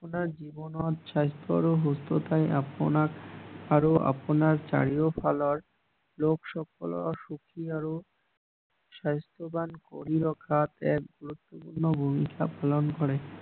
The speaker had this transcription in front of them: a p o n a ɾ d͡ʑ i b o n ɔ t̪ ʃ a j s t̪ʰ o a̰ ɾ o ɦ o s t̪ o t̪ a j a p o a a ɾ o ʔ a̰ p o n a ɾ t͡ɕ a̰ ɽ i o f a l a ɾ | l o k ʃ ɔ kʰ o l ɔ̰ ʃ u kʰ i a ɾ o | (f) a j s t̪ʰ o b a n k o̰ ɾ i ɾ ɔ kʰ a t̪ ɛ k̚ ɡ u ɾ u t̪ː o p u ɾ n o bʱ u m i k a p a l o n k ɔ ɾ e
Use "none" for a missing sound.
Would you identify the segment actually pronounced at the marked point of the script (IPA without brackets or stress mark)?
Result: ʃ